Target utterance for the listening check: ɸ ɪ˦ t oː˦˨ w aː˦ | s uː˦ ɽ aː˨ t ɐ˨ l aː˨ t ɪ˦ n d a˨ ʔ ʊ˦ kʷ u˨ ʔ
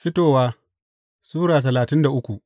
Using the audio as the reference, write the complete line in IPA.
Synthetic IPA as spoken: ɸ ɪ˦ t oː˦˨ w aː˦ | s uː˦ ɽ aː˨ t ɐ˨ l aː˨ t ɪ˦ n d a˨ ʔ ʊ˦ kʷ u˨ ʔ

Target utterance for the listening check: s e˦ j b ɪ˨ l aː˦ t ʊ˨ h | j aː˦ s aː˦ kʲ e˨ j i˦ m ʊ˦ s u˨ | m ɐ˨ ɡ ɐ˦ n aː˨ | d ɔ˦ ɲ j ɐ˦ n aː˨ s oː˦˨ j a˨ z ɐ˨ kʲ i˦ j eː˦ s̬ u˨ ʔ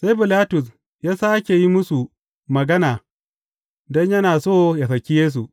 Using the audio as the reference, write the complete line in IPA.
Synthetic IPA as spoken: s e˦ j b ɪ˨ l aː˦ t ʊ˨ s | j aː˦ s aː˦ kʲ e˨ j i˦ m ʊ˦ s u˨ | m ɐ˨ ɡ ɐ˦ n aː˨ | d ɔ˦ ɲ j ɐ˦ n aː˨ s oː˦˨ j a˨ s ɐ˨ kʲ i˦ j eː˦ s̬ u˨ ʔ

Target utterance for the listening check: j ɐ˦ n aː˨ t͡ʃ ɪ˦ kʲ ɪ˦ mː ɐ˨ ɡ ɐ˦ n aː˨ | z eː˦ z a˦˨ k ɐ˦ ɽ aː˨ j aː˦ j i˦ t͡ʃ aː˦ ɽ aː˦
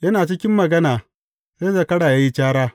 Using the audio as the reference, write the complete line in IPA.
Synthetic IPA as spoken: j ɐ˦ n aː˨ t͡ʃ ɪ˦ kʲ ɪ˦ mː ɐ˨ ɡ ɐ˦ n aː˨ | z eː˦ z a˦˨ k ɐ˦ ɽ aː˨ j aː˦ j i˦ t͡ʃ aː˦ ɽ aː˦

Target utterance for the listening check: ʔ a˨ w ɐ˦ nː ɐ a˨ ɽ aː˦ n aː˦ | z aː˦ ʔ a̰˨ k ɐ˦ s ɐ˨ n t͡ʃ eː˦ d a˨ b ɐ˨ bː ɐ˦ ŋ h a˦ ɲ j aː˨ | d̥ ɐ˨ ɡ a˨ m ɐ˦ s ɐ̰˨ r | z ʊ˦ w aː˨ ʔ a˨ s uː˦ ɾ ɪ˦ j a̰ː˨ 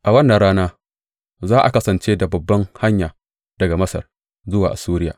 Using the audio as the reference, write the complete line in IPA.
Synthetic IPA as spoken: ʔ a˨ w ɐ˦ nː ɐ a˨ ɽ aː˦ n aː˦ | z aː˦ ʔ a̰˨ k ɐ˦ s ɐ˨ n t͡ʃ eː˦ d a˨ b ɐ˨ bː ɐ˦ ŋ h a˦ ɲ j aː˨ | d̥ ɐ˨ ɡ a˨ m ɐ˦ s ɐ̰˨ r | z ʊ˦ w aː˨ ʔ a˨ s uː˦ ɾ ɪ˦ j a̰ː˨

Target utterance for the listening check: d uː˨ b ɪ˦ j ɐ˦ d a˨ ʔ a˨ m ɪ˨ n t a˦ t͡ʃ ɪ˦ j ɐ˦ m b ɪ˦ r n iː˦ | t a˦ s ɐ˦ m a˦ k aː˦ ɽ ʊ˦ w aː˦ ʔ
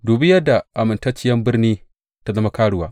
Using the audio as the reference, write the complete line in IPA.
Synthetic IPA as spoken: d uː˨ b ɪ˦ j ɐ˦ d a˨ ʔ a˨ m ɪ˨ n t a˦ t͡ʃ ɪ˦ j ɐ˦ m b ɪ˦ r n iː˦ | t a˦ z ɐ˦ m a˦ k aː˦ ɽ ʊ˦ w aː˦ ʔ

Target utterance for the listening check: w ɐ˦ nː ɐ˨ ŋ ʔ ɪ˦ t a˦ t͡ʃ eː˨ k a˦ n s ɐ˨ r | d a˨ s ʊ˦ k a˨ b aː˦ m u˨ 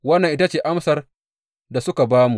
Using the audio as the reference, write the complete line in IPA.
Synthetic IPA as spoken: w ɐ˦ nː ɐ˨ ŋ ʔ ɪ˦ t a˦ t͡ʃ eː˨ ʔ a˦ m s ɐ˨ r | d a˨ s ʊ˦ k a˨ b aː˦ m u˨

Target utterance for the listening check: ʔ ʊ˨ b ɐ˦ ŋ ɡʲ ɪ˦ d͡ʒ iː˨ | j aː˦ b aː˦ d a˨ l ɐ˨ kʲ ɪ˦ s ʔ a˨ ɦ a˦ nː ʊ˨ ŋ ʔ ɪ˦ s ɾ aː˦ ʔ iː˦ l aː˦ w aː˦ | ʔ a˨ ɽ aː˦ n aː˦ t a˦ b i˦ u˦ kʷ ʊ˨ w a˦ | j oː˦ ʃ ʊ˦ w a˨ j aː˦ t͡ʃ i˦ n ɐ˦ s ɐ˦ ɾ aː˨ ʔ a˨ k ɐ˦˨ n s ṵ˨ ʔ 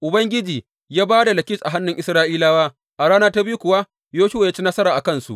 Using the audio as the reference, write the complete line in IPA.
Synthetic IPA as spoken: ʔ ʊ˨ b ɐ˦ ŋ ɡʲ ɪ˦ d͡ʒ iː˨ | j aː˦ b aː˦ d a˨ l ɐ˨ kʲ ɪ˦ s ʔ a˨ ɦ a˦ nː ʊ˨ ŋ ʔ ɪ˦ s ɾ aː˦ ʔ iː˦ l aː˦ w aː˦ | ʔ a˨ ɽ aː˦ n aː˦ t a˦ b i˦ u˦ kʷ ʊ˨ w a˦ | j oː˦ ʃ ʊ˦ w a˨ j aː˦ t͡ʃ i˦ n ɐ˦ s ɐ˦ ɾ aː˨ ʔ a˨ k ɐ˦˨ n s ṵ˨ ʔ

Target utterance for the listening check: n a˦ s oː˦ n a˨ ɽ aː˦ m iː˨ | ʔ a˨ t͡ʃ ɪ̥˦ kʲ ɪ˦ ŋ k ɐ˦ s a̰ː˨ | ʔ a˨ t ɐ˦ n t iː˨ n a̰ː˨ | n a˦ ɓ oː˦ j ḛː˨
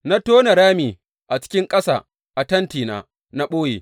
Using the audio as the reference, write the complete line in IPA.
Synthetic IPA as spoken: n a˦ t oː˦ n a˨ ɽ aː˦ m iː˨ | ʔ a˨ t͡ʃ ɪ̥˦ kʲ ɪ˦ ŋ kʼ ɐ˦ s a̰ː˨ | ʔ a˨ t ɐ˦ n t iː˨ n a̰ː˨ | n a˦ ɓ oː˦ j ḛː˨

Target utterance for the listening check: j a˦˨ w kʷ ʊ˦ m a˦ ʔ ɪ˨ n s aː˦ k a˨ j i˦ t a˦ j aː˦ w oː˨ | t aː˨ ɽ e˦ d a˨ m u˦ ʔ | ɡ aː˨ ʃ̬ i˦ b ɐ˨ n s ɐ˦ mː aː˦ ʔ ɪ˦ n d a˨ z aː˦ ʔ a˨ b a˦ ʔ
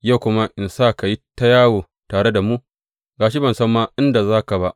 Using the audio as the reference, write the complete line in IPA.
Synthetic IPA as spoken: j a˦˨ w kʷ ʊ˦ m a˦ ʔ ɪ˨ n s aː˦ k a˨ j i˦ t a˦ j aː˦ w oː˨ | t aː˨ ɽ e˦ d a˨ m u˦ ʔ | ɡ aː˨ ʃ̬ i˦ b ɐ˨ n s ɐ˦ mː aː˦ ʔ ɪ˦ n d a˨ z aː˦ k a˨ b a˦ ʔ

